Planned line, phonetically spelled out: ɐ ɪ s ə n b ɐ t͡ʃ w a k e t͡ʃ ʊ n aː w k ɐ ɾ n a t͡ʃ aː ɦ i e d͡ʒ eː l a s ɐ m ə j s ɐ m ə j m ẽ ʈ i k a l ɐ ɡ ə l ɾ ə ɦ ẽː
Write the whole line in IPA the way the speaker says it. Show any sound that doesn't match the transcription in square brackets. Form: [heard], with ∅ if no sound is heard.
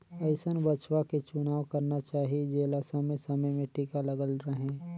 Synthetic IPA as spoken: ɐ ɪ s ə n b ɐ t͡ʃ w a k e t͡ʃ ʊ n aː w k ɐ ɾ n a t͡ʃ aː ɦ i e d͡ʒ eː l a s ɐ m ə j s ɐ m ə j m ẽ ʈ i k a l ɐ ɡ ə l ɾ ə ɦ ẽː